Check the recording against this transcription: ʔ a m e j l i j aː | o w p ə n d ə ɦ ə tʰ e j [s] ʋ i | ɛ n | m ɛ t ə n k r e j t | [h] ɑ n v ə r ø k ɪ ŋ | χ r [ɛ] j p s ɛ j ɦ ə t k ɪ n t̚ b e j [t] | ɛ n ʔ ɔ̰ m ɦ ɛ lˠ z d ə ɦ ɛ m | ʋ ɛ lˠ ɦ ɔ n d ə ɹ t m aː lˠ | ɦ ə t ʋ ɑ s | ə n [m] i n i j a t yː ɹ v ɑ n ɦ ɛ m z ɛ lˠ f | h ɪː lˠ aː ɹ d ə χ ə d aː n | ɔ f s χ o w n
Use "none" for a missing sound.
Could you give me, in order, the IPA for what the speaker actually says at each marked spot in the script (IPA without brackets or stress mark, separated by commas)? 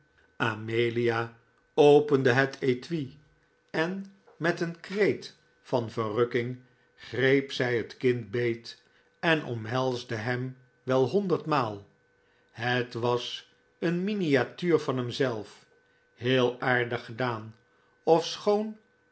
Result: t, f, e, t, m